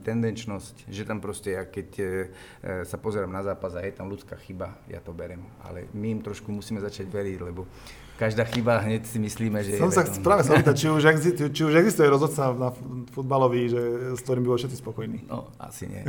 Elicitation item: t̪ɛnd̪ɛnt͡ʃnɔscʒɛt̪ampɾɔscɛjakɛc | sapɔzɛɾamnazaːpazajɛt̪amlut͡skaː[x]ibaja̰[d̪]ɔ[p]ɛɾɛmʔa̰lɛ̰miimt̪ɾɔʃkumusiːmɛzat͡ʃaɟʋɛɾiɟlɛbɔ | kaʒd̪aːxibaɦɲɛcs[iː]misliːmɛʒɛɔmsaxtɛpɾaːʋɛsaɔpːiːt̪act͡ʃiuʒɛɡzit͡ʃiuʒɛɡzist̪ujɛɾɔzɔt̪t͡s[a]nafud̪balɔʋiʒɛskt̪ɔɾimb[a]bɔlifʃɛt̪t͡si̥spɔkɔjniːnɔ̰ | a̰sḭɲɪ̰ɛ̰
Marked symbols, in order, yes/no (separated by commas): yes, no, no, no, yes, no